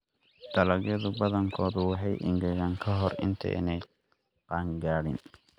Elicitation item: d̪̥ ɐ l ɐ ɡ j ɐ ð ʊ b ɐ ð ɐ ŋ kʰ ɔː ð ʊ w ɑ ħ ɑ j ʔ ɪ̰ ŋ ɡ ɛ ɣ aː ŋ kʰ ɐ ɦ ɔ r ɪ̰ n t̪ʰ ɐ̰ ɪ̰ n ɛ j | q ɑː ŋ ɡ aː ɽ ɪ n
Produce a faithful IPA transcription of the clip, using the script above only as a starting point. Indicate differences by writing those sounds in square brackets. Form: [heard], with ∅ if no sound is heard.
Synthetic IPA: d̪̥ ɐ l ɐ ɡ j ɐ ð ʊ b ɐ ð ɐ ŋ kʰ ɔː ð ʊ w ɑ ħ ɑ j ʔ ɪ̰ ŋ ɡ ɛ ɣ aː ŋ kʰ ɐ ɦ ɔ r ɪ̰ n t̪ʰ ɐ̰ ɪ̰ n ɛ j | q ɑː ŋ ɡ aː ɽ ɪ n